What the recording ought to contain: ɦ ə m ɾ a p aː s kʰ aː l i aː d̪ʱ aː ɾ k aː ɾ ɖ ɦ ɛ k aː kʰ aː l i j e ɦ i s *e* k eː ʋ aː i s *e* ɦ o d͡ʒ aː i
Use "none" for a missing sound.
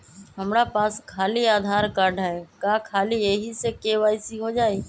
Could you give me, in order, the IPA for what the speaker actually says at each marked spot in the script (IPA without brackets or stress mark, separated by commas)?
e, i